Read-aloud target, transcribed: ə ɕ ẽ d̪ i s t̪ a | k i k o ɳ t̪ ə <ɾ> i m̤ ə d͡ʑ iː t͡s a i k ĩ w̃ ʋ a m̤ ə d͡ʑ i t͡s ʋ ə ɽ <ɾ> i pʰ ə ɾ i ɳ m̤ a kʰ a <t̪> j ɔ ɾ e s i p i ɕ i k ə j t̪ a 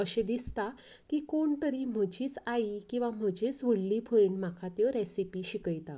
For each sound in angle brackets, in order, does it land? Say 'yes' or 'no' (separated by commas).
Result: yes, no, yes